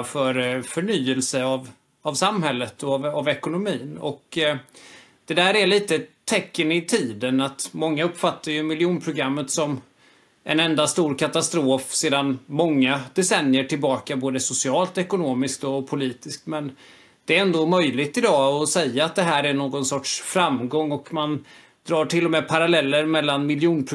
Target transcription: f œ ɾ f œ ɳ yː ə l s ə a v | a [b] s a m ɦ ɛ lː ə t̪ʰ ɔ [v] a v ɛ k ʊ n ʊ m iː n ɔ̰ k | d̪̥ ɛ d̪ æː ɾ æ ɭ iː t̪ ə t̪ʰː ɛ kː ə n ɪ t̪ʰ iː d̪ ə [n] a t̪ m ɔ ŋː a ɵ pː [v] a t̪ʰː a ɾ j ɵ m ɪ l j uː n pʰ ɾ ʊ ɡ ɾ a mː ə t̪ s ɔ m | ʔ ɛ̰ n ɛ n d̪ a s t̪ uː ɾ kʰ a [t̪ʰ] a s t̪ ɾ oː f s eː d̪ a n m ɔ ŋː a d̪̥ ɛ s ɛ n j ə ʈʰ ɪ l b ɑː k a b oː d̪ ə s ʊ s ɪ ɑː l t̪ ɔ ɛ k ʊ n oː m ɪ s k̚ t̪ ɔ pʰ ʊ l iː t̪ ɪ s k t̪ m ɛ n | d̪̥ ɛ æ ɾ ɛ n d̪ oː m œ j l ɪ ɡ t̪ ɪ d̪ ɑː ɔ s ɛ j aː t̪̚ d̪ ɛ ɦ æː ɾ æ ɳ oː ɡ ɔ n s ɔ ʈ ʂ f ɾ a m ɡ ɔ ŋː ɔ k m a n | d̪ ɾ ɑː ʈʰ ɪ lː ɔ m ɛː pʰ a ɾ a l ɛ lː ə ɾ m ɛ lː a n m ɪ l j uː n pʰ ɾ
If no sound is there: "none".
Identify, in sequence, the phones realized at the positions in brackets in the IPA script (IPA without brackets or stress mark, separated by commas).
v, v, n, f, t̪